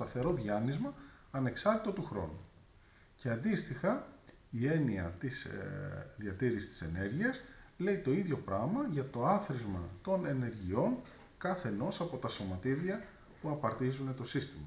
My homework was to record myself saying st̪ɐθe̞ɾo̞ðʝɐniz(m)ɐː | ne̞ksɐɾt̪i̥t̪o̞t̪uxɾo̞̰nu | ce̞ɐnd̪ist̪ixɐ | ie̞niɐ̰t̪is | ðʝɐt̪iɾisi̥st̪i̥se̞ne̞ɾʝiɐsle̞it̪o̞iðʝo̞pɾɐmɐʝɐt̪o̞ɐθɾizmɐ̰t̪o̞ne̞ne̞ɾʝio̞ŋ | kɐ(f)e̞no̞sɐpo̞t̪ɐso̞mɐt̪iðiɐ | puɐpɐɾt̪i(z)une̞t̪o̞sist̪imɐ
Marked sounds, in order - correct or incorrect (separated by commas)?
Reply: correct, incorrect, correct